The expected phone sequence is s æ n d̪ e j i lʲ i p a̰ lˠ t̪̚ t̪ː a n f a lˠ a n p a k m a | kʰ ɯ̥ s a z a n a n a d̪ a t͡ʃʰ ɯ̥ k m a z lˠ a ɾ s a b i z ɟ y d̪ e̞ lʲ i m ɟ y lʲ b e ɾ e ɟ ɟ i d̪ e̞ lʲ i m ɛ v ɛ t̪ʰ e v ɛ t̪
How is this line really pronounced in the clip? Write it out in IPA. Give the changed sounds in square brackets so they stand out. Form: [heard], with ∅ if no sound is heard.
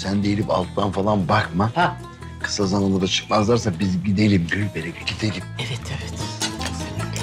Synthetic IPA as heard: s æ n d̪ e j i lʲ i p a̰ lˠ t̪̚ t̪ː a n f a lˠ a n [b] a k m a | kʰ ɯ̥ s a z a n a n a d̪ a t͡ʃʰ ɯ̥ k m a z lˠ a ɾ s a b i z ɟ [i] d̪ e̞ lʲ i m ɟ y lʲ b e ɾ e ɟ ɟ i d̪ e̞ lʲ i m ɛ v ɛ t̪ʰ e v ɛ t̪

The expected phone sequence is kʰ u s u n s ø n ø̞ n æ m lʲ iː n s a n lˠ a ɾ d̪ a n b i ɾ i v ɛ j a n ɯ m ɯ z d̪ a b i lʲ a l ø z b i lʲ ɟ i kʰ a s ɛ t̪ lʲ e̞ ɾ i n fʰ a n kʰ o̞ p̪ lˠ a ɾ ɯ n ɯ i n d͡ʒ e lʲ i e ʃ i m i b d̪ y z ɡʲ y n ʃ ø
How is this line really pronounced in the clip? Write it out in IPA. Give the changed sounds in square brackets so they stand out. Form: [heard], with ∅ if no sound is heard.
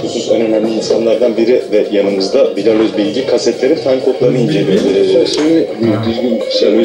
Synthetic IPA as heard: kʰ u s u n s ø n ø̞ n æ m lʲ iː n s a n lˠ a ɾ d̪ a n b i ɾ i v ɛ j a n ɯ m ɯ z d̪ a b i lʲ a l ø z b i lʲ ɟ i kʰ a s ɛ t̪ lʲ e̞ ɾ i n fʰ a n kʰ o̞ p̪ lˠ a ɾ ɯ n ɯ i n d͡ʒ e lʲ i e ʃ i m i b d̪ y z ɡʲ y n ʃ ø

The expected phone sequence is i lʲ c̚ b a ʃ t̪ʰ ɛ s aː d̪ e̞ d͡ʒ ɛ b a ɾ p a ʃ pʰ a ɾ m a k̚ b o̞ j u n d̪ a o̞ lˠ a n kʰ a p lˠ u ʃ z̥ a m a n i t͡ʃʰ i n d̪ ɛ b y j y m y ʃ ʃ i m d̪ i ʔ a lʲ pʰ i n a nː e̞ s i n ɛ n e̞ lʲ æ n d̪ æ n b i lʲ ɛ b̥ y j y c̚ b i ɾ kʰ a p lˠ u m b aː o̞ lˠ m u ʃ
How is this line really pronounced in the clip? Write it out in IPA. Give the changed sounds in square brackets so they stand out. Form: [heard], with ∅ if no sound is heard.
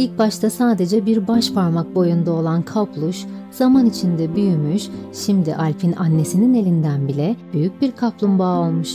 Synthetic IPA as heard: i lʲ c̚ b a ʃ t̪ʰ [a] s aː d̪ e̞ d͡ʒ ɛ b [i] ɾ [b] a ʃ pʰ a ɾ m a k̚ b o̞ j u n d̪ a o̞ lˠ a n kʰ a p lˠ u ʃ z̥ a m a n i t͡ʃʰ i n d̪ ɛ b y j y m y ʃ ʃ i m d̪ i ʔ a lʲ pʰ i n a nː e̞ s i n [i] n e̞ lʲ [i] n d̪ æ n b i lʲ ɛ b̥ y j y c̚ b i ɾ kʰ a p lˠ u m b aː o̞ lˠ m u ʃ

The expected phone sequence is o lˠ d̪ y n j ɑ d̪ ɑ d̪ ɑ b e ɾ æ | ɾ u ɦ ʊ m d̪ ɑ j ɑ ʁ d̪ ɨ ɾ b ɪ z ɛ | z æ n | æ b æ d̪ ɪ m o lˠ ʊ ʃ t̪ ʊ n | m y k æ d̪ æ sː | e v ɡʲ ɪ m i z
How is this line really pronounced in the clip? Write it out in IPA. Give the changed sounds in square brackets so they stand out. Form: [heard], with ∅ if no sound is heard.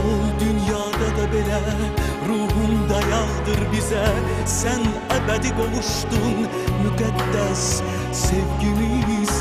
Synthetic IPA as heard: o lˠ d̪ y n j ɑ d̪ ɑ d̪ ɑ b e [l] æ | ɾ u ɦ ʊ m d̪ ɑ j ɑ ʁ d̪ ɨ ɾ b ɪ z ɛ | [s] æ n | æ b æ d̪ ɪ [b] o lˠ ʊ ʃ t̪ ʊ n | m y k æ [d̪ː] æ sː | e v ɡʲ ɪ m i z

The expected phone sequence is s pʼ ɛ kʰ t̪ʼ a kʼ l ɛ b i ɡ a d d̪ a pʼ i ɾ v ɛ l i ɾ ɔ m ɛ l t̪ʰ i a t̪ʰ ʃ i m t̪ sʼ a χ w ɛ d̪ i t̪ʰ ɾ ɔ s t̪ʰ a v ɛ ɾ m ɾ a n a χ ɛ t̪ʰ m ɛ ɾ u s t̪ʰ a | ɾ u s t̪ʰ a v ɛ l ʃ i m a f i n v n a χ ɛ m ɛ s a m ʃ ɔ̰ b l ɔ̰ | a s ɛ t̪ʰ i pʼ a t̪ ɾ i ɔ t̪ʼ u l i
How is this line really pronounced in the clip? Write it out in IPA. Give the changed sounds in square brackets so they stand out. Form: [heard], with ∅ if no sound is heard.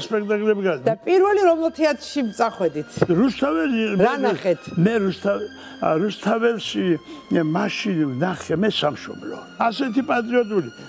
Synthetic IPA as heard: s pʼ ɛ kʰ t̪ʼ a kʼ l ɛ b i ɡ a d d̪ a pʼ i ɾ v ɛ l i ɾ ɔ m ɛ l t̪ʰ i a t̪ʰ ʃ i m t̪ sʼ a χ w ɛ d̪ i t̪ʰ ɾ [u] s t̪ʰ a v ɛ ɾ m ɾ a n a χ ɛ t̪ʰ m ɛ ɾ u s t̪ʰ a | ɾ u s t̪ʰ a v ɛ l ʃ i m a [ʃ] i n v n a χ ɛ m ɛ s a m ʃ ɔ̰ b l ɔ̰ | a s ɛ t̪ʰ i pʼ a [t̪ʼ] ɾ i ɔ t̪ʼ u l i

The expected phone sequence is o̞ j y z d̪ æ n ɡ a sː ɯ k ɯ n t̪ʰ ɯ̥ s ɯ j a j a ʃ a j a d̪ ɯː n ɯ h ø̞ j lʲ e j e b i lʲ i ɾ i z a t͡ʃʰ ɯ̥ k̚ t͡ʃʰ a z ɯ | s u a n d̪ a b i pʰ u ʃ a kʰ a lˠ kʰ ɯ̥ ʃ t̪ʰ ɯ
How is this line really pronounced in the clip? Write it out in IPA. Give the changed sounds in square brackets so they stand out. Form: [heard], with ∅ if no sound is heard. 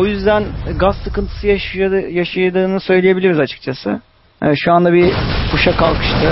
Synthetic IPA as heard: o̞ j y z d̪ æ n ɡ a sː ɯ k ɯ n t̪ʰ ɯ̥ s ɯ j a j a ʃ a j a d̪ ɯː n ɯ [s] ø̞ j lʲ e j e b i lʲ i ɾ i z a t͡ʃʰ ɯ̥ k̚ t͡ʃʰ a [s] ɯ | [ʃ] u a n d̪ a b i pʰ u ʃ a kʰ a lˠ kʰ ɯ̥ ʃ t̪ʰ ɯ

